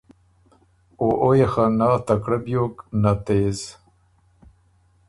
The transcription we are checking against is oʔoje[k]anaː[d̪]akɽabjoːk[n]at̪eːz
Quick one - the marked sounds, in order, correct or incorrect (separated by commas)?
incorrect, incorrect, correct